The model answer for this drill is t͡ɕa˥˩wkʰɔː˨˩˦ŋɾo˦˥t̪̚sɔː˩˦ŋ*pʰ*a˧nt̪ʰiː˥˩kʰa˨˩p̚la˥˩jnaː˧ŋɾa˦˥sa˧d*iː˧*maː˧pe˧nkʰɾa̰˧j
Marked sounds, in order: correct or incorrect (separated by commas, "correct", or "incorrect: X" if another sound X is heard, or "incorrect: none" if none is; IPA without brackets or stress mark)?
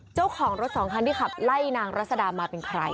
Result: incorrect: kʰ, incorrect: aː˧